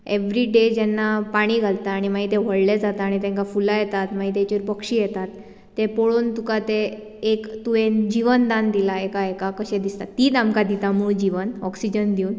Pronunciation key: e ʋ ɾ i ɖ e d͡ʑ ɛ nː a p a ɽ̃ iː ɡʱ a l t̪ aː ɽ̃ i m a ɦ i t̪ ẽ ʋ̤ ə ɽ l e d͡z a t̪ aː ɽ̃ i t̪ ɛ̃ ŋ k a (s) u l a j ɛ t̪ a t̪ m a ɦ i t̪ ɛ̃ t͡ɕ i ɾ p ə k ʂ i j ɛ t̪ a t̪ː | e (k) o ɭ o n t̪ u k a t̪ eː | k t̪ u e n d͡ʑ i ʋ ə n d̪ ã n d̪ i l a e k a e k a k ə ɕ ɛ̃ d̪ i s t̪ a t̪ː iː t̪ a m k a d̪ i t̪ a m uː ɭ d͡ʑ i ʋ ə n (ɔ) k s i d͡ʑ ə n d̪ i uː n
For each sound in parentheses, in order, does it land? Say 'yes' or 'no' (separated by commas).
no, no, yes